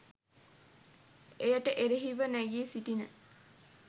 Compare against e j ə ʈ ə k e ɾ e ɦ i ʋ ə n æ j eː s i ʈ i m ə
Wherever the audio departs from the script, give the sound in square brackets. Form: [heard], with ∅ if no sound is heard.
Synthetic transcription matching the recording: e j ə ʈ ə [ʔ] e ɾ e ɦ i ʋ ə n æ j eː s i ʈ i [n] ə